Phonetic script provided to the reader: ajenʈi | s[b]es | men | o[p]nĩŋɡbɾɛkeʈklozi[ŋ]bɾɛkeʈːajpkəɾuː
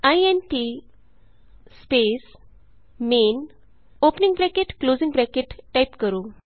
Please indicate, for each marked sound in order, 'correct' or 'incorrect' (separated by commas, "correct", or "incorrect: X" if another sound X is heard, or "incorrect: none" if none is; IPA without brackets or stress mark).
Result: incorrect: p, correct, correct